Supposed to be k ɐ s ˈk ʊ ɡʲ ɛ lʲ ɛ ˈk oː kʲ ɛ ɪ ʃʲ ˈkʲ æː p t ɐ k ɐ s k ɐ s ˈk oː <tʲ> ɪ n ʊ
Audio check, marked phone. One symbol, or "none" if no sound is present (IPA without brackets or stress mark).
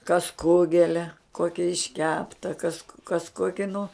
kʲ